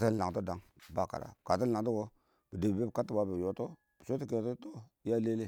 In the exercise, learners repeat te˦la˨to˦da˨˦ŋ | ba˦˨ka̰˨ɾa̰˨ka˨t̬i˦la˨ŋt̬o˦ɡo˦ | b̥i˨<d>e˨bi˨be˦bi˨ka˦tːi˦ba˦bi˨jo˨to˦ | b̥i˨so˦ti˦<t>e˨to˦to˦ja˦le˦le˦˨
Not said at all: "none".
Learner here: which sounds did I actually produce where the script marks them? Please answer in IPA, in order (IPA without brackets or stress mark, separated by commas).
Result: d, k